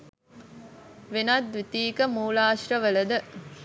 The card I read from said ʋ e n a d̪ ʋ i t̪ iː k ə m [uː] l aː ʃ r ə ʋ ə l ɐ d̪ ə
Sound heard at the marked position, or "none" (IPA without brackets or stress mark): uː